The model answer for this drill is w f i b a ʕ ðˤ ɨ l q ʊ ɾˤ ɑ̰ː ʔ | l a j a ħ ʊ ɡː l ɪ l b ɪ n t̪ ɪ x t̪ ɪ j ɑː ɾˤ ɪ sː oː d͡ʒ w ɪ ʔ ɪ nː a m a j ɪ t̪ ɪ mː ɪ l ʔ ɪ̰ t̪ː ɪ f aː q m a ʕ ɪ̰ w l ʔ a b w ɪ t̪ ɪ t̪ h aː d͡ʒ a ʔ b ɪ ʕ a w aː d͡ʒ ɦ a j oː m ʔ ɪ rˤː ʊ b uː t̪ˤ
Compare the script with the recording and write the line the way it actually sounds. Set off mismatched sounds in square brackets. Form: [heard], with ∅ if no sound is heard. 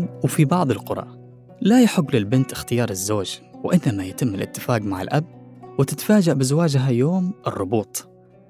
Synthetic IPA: w f i b [ɑ] ʕ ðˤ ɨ l q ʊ ɾˤ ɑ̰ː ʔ | l a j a ħ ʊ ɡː l ɪ l b ɪ n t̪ ɪ x t̪ ɪ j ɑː ɾˤ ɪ [zː] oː d͡ʒ w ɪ ʔ ɪ nː a m a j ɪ t̪ ɪ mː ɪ l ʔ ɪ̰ t̪ː ɪ f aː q m a ʕ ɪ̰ [∅] l ʔ a b w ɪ t̪ ɪ t̪ [f] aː d͡ʒ a ʔ b ɪ [z] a w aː d͡ʒ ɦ a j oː m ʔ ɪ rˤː ʊ b uː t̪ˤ